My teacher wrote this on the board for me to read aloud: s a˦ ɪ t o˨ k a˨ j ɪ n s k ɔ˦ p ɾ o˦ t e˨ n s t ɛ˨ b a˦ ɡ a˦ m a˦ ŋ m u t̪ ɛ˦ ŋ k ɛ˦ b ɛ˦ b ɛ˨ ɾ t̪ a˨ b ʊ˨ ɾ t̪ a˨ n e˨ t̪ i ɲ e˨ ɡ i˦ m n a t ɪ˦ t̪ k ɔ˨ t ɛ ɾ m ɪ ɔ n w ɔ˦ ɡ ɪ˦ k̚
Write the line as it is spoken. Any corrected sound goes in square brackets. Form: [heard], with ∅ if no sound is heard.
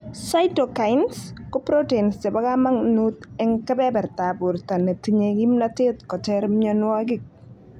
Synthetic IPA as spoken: s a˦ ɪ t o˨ k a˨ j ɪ n s k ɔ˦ p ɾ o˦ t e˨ n s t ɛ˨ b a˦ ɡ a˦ m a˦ ŋ [n] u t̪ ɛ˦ ŋ k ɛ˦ b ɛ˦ b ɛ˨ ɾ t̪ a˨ b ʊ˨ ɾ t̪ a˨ n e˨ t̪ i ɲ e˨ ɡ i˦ m n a t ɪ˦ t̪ k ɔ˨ t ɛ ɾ m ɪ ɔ n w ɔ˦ ɡ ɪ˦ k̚